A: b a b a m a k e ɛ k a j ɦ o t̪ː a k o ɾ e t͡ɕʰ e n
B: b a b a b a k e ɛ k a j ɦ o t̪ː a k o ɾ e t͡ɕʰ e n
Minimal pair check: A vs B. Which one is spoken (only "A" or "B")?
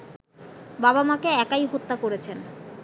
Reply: A